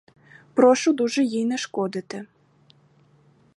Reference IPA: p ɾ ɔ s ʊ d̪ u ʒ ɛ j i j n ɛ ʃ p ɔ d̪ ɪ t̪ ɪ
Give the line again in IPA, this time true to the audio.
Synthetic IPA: p ɾ ɔ ʃ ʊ d̪ u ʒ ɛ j i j n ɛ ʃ k ɔ d̪ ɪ t̪ ɪ